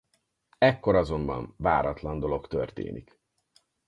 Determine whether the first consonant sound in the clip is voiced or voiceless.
voiceless